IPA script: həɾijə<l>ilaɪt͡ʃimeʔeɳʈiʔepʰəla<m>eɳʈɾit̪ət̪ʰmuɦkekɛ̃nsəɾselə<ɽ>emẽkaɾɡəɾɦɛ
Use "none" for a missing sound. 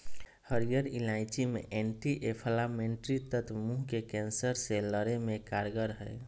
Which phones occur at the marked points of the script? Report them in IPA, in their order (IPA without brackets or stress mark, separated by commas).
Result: ɾ, m, ɾ